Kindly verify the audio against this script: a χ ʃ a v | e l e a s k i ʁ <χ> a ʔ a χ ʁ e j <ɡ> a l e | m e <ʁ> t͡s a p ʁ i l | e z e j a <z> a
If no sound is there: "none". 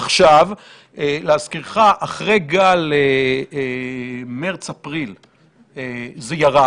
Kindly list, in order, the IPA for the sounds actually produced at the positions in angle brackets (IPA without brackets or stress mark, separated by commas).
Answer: χ, ɡ, ʁ, ʁ